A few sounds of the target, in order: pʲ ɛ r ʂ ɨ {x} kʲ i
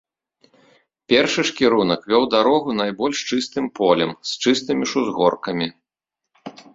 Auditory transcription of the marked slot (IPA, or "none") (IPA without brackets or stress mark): ʂ